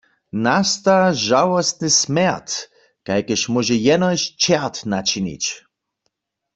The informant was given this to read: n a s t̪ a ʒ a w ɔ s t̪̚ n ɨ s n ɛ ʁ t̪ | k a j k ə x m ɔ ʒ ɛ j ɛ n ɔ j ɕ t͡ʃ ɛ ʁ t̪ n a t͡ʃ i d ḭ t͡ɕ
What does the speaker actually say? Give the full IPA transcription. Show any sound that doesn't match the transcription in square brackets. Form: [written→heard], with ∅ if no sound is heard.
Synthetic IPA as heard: n a s t̪ a ʒ a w ɔ s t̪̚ n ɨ s [n→m] ɛ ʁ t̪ | k a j k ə [x→ʃ] m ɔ ʒ ɛ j ɛ n ɔ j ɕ t͡ʃ ɛ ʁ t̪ n a t͡ʃ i [d→n] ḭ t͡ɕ